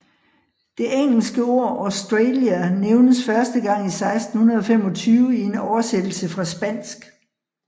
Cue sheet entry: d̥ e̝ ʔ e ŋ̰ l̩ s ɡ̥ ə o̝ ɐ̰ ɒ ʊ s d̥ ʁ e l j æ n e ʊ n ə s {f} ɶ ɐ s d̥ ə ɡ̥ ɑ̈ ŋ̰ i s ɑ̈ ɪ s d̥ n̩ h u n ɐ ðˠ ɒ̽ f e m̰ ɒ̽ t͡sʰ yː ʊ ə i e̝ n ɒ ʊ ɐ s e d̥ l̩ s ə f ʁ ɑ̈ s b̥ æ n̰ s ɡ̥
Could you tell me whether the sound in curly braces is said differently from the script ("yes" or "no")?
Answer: no